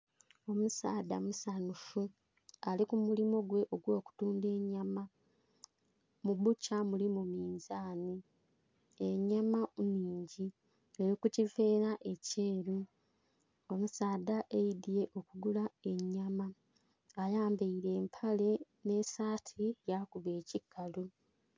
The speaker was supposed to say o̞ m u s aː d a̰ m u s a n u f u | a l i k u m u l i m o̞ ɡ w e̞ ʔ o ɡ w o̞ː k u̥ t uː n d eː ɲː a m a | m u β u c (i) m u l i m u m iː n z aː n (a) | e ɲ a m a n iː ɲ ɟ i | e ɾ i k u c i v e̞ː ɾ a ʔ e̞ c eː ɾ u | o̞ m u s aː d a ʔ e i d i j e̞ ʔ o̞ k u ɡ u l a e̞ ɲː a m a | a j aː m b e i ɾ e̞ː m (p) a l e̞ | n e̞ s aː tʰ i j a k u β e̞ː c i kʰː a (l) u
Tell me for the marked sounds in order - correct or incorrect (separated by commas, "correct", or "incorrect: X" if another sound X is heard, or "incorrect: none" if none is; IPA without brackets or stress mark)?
incorrect: a, incorrect: i, incorrect: pʰ, correct